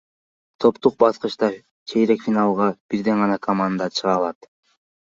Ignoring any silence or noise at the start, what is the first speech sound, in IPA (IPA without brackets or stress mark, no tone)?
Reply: t̪ʰ